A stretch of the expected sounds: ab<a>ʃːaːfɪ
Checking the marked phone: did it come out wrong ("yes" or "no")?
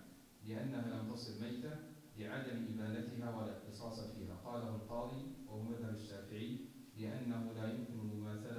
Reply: no